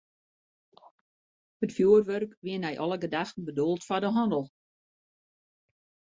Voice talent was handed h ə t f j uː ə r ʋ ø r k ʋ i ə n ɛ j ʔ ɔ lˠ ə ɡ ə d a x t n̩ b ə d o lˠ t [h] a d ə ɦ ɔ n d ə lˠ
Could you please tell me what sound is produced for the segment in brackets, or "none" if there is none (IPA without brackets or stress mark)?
f